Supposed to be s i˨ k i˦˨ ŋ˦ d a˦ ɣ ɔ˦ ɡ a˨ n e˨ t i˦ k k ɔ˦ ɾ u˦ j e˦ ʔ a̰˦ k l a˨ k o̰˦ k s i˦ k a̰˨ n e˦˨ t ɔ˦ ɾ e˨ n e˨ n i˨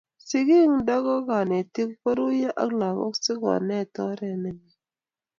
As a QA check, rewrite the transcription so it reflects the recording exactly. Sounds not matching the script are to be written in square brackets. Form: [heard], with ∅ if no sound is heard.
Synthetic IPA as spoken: s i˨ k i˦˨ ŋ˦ d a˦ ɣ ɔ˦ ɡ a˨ n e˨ t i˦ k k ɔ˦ ɾ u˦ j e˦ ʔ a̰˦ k l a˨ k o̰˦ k s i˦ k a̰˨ n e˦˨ t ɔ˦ ɾ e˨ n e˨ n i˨

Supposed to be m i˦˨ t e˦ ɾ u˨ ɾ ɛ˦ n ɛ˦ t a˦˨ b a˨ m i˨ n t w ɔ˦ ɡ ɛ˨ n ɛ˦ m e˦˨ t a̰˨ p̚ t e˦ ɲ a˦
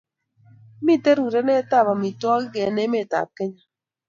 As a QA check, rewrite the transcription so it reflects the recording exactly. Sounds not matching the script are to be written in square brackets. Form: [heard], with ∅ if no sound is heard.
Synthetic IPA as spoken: m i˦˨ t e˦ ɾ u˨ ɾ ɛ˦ n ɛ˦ t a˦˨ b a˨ m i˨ [∅] t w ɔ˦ ɡ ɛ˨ n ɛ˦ m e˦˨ t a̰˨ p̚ [k] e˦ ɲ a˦

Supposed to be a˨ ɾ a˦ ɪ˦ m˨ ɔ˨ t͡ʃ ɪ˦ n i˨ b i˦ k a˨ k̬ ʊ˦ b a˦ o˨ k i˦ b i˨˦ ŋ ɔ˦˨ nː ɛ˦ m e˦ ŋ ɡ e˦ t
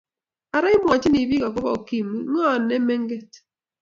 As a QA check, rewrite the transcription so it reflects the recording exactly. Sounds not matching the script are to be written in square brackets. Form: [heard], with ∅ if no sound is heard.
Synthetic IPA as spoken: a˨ ɾ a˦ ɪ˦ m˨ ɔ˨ t͡ʃ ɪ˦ n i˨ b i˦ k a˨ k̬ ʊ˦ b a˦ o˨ k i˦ [m] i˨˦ ŋ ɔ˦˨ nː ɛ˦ m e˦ ŋ ɡ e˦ t

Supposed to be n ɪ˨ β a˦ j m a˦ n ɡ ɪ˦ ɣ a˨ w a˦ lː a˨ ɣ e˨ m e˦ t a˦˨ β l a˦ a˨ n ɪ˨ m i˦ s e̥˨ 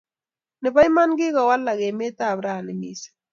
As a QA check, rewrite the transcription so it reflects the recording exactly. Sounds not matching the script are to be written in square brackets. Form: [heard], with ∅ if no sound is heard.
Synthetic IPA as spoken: n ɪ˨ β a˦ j m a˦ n ɡ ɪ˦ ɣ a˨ w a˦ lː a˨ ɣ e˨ m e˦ t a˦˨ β [ɾ] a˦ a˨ n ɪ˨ m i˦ s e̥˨

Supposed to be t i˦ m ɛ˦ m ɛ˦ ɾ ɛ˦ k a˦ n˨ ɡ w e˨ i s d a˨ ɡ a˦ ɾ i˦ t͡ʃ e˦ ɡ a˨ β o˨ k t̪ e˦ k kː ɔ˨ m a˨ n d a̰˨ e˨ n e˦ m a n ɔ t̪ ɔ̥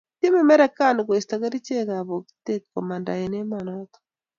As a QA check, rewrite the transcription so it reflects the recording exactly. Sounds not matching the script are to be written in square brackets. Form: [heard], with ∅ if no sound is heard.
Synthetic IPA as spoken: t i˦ m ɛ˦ m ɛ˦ ɾ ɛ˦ k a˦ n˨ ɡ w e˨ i s [t] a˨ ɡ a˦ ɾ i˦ t͡ʃ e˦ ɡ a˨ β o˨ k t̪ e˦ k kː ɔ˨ m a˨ n d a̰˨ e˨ n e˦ m a n ɔ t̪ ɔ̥

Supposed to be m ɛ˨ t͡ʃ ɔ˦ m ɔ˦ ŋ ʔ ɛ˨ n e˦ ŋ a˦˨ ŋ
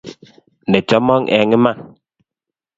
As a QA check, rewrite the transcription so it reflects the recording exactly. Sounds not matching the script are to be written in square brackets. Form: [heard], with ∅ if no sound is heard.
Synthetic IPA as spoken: [n] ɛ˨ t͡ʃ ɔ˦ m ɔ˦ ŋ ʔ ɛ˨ [ŋ] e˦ [m] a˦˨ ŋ

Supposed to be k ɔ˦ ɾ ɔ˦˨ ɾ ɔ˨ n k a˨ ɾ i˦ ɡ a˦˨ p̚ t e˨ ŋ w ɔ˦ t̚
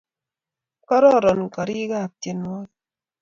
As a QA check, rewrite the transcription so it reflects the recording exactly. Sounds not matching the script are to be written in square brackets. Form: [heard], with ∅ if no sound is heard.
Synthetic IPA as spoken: k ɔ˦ ɾ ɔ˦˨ ɾ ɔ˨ n k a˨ ɾ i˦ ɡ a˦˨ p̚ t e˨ [n] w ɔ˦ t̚

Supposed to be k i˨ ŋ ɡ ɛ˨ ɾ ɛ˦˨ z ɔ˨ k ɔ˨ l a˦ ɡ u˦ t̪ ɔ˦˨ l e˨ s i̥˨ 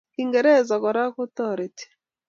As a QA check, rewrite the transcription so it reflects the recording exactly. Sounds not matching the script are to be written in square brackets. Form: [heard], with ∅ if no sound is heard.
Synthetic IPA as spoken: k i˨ ŋ ɡ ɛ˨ ɾ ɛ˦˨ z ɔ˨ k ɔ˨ [ɾ] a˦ [k] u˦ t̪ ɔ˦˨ [ɾ] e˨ [t] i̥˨

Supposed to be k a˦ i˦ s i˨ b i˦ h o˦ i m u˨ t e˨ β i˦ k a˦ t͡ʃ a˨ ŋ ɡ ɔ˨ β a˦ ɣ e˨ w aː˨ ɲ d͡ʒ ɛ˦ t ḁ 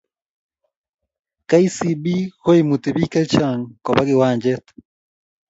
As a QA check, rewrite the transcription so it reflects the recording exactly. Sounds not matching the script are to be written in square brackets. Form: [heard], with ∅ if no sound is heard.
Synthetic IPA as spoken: k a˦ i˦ s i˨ b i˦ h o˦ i m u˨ t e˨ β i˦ k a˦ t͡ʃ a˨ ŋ [k] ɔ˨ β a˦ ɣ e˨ w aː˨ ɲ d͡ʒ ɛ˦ t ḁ

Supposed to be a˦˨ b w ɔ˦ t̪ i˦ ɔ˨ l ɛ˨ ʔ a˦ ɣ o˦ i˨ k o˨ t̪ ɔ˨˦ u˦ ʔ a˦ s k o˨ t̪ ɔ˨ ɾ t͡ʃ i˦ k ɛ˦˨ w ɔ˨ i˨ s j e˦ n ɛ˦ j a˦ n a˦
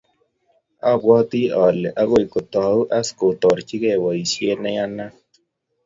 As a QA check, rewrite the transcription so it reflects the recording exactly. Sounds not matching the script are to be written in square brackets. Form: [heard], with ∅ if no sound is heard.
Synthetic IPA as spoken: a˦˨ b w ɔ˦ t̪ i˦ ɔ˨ l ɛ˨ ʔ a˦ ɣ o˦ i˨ k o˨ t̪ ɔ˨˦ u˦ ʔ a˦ s k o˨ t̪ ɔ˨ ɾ t͡ʃ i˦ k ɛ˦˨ w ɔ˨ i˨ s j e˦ n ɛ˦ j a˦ n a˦

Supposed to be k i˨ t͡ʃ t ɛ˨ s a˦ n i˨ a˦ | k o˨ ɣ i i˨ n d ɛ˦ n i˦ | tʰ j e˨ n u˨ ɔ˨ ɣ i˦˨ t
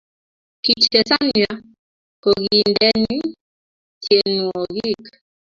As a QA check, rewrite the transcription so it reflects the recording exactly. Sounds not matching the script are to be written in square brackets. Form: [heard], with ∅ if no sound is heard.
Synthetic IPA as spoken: k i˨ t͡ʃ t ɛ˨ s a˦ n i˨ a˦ | k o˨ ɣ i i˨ n d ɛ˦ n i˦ | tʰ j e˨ n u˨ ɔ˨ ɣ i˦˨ [k]

